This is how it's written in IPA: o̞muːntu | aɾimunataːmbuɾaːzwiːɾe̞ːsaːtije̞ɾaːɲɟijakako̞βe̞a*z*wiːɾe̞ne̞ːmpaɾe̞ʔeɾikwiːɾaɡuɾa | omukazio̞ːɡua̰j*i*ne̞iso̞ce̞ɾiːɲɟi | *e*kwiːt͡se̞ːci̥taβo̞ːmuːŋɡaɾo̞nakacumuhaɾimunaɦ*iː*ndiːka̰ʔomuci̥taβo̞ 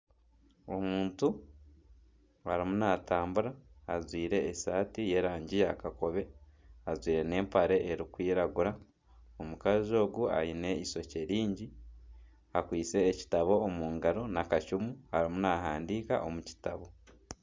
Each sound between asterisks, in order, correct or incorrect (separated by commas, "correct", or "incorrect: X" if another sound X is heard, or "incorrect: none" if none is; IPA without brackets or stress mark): correct, correct, incorrect: a, incorrect: aː